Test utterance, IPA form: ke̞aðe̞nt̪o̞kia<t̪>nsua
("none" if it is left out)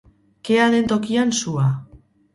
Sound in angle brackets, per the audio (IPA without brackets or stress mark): none